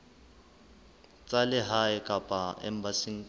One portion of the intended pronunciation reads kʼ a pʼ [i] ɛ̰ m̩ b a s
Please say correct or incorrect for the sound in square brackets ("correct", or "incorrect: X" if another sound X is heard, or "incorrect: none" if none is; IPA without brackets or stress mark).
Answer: incorrect: a